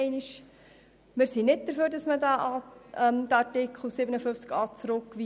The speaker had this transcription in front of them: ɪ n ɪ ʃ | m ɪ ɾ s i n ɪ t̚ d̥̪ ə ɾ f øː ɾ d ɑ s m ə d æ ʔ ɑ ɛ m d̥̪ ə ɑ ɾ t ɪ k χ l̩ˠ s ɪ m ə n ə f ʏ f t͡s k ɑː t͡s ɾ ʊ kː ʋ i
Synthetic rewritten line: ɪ n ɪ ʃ | m ɪ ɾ s i n ɪ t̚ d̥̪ ə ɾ f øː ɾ d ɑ s m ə d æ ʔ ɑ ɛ m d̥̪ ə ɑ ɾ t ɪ k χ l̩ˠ s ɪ b ə n ə f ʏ f t͡s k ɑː t͡s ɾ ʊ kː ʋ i